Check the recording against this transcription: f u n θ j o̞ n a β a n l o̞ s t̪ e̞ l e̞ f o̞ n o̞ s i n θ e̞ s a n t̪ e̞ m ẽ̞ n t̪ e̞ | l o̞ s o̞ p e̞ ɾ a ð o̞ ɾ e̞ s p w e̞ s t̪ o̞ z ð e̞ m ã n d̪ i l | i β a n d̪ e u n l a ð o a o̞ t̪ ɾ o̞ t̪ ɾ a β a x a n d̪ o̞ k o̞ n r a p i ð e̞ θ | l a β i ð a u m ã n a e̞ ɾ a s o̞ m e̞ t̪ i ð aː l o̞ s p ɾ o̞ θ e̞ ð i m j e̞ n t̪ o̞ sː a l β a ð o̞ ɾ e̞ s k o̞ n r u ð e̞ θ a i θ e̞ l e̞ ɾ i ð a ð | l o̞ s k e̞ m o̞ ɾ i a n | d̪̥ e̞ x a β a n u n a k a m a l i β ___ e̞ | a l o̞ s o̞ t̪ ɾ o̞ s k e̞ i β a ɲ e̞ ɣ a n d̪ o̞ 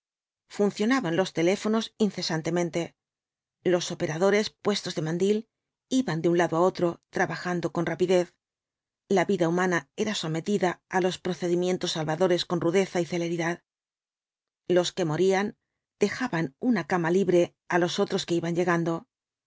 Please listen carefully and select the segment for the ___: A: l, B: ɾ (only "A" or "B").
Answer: B